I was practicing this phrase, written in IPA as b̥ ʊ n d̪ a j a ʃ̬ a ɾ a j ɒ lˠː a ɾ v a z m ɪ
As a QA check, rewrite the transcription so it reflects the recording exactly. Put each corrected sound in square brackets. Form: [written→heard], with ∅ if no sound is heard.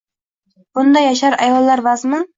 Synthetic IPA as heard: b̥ ʊ n d̪ a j a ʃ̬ a ɾ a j ɒ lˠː a ɾ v a z m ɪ